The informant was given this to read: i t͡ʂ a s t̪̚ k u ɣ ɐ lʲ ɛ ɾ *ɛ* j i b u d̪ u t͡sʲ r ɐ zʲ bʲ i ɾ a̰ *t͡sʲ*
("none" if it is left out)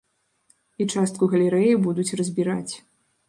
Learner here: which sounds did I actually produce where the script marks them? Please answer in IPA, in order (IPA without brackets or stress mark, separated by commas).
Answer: ɛ, t͡sʲ